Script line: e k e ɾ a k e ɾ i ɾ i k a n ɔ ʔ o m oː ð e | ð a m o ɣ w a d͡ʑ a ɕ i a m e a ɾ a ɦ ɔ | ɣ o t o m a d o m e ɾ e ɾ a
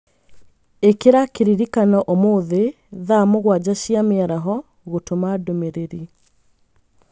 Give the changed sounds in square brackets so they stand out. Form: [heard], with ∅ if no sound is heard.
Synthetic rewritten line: e k e ɾ a k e ɾ i ɾ i k a n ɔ ʔ o m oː ð e | ð a m o ɣ w a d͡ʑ a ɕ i a m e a ɾ a ɦ ɔ | ɣ o t o m a d o m e ɾ e ɾ [i]